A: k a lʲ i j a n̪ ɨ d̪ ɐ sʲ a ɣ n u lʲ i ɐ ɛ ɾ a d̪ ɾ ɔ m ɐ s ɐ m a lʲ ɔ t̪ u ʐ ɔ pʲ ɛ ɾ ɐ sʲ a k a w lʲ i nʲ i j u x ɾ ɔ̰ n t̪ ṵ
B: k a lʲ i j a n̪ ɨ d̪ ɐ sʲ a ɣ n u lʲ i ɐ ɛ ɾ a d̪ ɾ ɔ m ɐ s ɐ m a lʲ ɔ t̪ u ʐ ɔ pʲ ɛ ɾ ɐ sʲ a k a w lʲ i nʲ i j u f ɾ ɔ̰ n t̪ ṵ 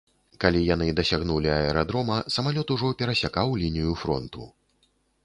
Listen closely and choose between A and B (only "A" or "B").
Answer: B